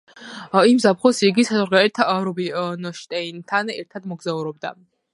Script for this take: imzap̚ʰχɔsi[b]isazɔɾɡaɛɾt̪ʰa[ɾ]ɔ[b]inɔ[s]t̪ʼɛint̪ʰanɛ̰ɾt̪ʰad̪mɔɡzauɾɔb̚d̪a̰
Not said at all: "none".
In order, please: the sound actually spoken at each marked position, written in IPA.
ɡ, ɾ, b, ʃ

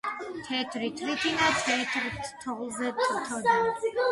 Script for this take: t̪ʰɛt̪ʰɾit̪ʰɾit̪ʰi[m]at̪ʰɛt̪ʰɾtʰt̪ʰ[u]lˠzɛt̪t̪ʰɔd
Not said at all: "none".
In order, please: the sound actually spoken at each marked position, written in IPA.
n, ɔ

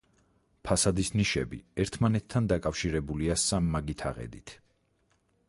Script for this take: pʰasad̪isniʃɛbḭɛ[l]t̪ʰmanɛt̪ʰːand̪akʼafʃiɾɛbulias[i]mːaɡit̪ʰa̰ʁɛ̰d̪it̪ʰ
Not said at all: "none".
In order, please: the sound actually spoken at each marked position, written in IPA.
ɾ, a

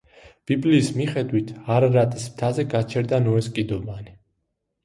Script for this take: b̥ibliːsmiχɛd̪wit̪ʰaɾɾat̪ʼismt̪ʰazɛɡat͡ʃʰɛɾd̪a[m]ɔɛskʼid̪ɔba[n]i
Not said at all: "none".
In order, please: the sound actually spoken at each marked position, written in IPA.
n, n

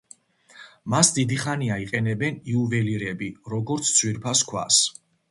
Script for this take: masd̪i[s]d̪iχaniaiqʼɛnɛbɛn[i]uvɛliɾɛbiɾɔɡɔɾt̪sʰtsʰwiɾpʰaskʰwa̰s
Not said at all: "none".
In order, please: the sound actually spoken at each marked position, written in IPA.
none, i

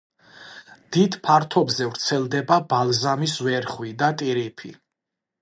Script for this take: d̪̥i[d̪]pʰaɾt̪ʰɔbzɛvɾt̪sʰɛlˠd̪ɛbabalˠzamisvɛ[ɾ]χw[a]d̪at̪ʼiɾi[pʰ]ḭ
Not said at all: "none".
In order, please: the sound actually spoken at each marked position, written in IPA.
d̪, ɾ, i, pʰ

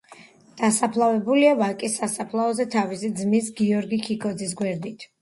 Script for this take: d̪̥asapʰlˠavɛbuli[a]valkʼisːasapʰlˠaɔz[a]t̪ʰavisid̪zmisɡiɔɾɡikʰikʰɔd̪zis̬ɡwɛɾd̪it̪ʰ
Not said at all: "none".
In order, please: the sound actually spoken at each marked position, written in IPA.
a, ɛ

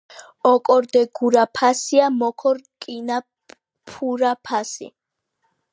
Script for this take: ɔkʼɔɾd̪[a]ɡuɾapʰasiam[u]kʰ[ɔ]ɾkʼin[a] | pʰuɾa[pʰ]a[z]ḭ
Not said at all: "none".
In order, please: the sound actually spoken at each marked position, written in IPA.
ɛ, ɔ, ɔ, a, pʰ, s

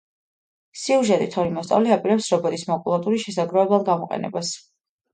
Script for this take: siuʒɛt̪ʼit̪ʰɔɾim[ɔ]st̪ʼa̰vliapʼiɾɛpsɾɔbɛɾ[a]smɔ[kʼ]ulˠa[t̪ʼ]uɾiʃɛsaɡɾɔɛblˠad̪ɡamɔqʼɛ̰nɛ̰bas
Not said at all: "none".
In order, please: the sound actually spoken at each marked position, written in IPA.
ɔ, i, kʼ, t̪ʼ

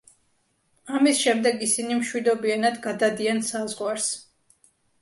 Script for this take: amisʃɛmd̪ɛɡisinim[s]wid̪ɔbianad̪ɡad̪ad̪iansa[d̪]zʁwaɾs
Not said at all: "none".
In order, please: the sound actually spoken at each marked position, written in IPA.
ʃ, none

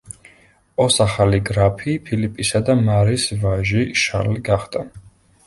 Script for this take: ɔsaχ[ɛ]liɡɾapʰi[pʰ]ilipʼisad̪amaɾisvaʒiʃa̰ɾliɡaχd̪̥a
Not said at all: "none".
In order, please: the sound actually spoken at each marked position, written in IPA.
a, pʰ

